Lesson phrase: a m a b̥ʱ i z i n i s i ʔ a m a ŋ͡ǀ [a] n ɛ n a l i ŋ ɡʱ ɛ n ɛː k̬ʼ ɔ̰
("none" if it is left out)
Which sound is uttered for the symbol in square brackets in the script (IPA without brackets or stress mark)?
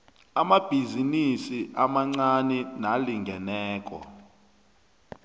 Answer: a